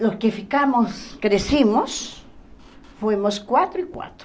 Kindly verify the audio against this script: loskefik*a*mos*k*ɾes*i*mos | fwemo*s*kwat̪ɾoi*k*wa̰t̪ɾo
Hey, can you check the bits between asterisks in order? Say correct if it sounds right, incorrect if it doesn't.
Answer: correct, correct, correct, correct, correct

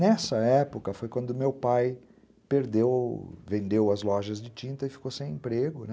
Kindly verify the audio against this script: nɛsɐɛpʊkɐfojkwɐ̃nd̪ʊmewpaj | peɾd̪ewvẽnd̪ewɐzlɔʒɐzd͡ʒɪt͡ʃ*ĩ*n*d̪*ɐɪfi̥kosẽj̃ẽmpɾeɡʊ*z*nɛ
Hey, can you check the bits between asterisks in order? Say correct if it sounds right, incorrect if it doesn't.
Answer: correct, incorrect, incorrect

